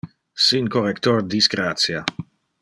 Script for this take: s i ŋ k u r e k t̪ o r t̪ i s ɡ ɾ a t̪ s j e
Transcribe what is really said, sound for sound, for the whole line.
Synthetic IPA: s i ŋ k o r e k t̪ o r d̪ i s ɡ ɾ a t̪ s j a